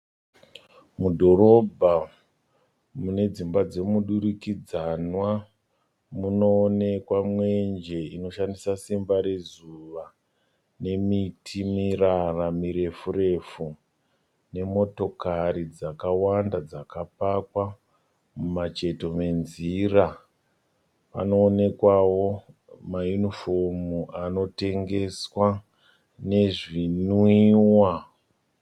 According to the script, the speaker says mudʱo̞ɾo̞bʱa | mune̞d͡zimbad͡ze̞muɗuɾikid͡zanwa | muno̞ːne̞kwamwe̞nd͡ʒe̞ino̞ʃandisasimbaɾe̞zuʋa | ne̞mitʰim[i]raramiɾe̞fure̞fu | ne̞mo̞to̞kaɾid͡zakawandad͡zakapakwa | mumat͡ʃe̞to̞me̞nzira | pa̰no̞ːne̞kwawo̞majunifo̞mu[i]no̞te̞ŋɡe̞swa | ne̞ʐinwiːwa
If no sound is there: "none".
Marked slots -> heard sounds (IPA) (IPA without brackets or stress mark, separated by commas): i, a